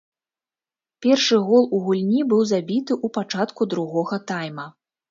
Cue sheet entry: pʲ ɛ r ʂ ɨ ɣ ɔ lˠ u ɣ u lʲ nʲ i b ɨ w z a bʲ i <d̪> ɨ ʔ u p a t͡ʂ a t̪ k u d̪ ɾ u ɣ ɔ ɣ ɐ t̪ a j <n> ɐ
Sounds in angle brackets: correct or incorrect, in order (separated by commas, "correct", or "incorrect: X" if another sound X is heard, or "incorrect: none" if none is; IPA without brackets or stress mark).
incorrect: t̪, incorrect: m